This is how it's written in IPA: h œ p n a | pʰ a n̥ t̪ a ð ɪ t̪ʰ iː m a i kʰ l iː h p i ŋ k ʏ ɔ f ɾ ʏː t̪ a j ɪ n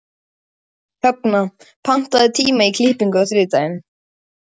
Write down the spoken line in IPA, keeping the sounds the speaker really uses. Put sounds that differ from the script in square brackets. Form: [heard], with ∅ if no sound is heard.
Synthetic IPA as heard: h œ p n a | pʰ a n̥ t̪ a ð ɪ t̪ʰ iː m a i kʰ l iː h p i ŋ k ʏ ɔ [θ] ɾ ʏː t̪ a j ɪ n